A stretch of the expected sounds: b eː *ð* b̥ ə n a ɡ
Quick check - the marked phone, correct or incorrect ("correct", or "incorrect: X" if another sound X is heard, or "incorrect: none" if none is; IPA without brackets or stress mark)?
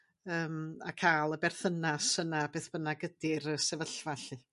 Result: incorrect: θ